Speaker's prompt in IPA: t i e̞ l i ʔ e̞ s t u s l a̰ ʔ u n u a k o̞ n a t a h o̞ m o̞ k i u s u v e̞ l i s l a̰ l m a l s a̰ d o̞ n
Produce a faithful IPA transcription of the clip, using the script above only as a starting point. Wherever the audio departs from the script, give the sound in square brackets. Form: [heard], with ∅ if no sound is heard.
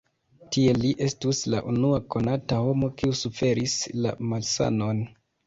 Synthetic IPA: t i e̞ l i ʔ e̞ s t u s l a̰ ʔ u n u a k o̞ n a t a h o̞ m o̞ k i u s u [f] e̞ [ɾ] i s l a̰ [∅] m a l s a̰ [n] o̞ n